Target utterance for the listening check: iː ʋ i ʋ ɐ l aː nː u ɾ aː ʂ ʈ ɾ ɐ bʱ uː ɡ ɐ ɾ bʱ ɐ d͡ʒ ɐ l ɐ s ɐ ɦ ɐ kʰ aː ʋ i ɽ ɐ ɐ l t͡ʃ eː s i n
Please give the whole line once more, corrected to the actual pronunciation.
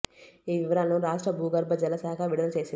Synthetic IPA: iː ʋ i ʋ ɐ ɾ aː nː u ɾ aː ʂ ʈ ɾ ɐ bʱ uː ɡ ɐ ɾ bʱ ɐ d͡ʒ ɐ l ɐ s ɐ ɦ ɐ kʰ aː ʋ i ɽ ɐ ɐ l t͡ʃ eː s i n